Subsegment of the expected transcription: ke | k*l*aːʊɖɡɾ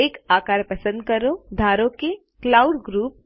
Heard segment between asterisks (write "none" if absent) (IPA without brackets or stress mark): l